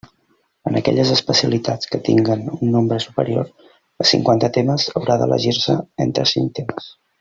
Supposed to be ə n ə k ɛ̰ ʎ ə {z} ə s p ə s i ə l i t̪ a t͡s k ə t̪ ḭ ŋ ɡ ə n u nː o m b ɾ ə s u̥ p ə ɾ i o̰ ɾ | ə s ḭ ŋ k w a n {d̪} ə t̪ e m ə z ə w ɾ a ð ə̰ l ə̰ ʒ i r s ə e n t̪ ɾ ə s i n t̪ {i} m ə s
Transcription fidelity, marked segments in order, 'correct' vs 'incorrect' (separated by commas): correct, incorrect, incorrect